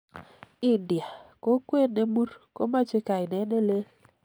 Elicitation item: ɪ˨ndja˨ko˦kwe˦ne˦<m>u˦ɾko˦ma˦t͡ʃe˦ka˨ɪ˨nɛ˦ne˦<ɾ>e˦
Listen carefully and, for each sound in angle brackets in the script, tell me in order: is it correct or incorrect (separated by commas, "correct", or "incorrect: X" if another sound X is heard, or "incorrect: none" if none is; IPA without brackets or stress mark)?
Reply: correct, incorrect: l